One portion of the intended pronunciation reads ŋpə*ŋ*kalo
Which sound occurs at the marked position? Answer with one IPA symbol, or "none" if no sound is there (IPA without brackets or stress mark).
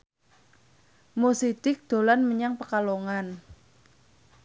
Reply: none